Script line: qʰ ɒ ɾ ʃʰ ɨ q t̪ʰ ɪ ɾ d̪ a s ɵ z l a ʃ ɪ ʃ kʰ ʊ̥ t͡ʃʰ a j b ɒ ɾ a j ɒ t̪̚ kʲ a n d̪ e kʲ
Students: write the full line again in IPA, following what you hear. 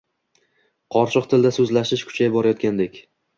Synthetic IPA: qʰ ɒ ɾ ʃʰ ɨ q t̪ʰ ɪ l d̪ a s ɵ z l a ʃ ɪ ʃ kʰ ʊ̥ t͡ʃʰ a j b ɒ ɾ a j ɒ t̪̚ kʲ a n d̪ e kʲ